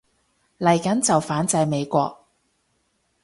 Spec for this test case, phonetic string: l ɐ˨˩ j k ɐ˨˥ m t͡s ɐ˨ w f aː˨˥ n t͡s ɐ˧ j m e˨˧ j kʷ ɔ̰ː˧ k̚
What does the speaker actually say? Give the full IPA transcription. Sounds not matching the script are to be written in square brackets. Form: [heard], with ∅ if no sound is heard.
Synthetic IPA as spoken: l ɐ˨˩ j k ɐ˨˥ [n] t͡s ɐ˨ w f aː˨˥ n t͡s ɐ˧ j m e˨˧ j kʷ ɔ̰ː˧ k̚